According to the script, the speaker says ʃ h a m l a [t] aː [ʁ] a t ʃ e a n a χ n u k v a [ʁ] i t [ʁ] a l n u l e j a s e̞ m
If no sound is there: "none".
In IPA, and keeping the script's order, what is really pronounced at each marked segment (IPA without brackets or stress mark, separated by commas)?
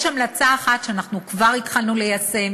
t͡s, χ, ʁ, χ